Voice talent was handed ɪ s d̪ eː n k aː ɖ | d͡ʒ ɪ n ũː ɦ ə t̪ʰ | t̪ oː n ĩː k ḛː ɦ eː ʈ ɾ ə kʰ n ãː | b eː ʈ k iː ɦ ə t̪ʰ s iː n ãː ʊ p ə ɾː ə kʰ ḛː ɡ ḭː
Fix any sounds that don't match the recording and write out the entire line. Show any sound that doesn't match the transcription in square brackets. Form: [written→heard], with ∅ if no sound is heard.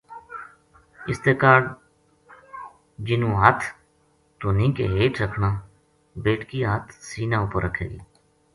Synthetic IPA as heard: ɪ s [d̪→t̪] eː [n→∅] k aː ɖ | d͡ʒ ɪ n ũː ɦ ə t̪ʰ | t̪ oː n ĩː k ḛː ɦ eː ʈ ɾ ə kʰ n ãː | b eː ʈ k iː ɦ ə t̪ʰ s iː n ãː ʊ p ə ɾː ə kʰ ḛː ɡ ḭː